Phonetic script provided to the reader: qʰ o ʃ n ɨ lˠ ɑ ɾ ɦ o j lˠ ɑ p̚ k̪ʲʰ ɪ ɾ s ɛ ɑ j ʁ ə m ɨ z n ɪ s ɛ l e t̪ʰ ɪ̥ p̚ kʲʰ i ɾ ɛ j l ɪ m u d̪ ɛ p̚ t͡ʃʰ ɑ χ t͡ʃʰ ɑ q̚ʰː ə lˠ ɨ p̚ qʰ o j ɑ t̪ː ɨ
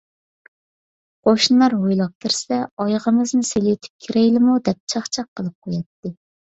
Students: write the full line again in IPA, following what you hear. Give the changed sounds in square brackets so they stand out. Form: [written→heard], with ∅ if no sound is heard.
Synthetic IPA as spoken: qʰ o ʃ n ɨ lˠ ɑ ɾ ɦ o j lˠ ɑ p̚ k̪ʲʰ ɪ ɾ s ɛ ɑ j ʁ ə m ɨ z n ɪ s [ɛ→e] l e t̪ʰ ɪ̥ p̚ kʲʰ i ɾ ɛ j l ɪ m u d̪ ɛ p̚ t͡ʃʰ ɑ χ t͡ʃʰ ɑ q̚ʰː ə lˠ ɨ p̚ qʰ o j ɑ t̪ː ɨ